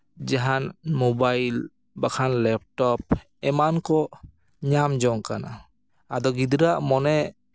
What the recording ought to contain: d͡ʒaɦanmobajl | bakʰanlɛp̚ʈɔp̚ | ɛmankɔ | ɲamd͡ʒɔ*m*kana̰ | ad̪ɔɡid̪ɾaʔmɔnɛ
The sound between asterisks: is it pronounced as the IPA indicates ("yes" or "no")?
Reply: no